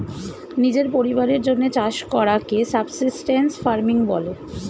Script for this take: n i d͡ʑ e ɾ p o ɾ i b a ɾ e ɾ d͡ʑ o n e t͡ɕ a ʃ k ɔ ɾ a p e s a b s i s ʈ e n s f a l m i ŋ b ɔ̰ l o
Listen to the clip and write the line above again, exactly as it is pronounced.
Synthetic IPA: n i d͡ʑ e ɾ p o ɾ i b a ɾ e ɾ d͡ʑ o nː e t͡ɕ a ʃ k ɔ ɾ a k e s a b s i s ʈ e n s f a ɾ m i ŋ b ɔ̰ l o